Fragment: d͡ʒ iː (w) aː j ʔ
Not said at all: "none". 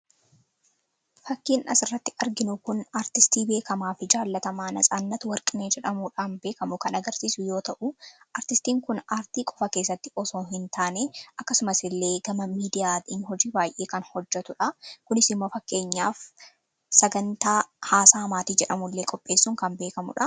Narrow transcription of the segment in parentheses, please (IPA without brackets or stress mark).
b